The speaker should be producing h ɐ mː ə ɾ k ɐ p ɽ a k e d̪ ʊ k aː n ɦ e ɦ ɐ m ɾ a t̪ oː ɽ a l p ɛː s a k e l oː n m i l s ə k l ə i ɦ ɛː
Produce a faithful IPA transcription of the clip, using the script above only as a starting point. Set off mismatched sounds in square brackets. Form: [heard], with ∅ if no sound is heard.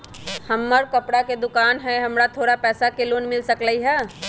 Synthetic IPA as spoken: h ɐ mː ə ɾ k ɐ p ɽ a k e d̪ ʊ k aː n ɦ [ɛ] ɦ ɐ m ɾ a [t̪ʰ] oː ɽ a [∅] p ɛː s a k e l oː n m [ɪ] l s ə k l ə i ɦ ɛː